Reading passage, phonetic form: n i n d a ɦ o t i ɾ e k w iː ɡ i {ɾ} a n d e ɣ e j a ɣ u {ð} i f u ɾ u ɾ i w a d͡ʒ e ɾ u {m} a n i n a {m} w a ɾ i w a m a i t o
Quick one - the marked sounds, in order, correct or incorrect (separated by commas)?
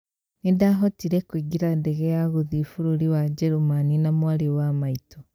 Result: correct, correct, correct, correct